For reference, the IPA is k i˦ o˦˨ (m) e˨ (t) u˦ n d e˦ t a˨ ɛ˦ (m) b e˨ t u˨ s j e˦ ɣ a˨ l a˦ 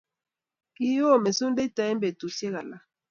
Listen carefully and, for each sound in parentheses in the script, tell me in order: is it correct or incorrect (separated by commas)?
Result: correct, incorrect, correct